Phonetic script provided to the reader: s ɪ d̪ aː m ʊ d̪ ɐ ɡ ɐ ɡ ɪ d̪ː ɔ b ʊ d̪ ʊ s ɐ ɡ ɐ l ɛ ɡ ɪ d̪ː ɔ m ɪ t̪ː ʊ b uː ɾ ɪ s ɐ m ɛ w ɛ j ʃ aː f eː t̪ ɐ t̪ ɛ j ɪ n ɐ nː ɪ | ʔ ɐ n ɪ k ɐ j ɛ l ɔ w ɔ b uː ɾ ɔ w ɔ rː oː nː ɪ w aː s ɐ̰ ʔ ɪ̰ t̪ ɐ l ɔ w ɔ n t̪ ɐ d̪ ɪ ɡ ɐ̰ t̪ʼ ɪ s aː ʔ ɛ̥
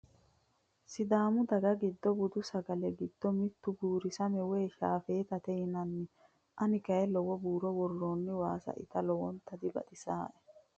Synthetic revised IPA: s ɪ d̪ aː m ʊ d̪ ɐ ɡ ɐ ɡ ɪ d̪ː ɔ b ʊ d̪ ʊ s ɐ ɡ ɐ l ɛ ɡ ɪ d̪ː ɔ m ɪ t̪ː ʊ b uː ɾ ɪ s ɐ m ɛ w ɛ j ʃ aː f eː t̪ ɐ t̪ ɛ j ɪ n ɐ nː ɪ | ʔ ɐ n ɪ k ɐ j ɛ l ɔ w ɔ b uː ɾ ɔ w ɔ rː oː nː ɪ w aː s ɐ̰ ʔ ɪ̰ t̪ ɐ l ɔ w ɔ n t̪ ɐ d̪ ɪ b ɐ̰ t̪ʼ ɪ s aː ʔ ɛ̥

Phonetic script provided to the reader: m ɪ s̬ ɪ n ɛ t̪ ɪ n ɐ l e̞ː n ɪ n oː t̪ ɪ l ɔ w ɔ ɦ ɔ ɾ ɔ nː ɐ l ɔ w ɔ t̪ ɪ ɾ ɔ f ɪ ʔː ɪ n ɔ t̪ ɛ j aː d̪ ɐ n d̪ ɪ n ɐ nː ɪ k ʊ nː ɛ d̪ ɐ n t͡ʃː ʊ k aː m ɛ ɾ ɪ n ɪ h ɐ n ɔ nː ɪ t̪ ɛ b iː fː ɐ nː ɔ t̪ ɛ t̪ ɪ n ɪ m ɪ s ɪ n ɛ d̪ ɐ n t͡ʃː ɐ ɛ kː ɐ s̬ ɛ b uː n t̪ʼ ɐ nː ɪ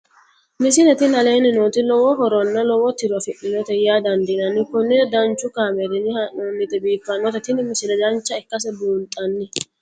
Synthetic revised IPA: m ɪ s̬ ɪ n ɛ t̪ ɪ n ɐ l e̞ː n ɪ n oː t̪ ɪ l ɔ w ɔ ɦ ɔ ɾ ɔ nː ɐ l ɔ w ɔ t̪ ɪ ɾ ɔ f ɪ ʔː ɪ n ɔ t̪ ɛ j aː d̪ ɐ n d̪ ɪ n ɐ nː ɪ k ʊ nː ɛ d̪ ɐ n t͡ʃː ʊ k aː m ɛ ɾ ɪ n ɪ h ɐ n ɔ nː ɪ t̪ ɛ b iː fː ɐ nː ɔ t̪ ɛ t̪ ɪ n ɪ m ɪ s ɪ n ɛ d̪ ɐ n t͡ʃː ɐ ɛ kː ɐ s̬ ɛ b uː n t̪ʼ ɐ nː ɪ

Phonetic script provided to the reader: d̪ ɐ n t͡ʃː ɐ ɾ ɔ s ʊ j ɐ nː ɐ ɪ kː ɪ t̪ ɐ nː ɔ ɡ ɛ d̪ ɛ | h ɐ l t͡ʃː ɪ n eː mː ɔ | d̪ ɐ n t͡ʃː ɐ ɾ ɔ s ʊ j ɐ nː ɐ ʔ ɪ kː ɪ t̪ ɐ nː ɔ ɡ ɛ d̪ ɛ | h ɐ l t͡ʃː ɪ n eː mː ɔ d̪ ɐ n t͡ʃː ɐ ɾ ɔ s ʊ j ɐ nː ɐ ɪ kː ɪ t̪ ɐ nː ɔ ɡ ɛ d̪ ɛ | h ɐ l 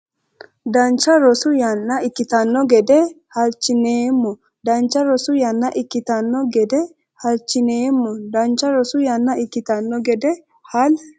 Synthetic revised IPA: d̪ ɐ n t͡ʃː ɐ ɾ ɔ s ʊ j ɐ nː ɐ ɪ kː ɪ t̪ ɐ nː ɔ ɡ ɛ d̪ ɛ | h ɐ l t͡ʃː ɪ n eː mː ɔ | d̪ ɐ n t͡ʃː ɐ ɾ ɔ s ʊ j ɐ nː ɐ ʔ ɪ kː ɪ t̪ ɐ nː ɔ ɡ ɛ d̪ ɛ | h ɐ l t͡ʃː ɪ n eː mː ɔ d̪ ɐ n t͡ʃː ɐ ɾ ɔ s ʊ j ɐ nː ɐ ɪ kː ɪ t̪ ɐ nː ɔ ɡ ɛ d̪ ɛ | h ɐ l

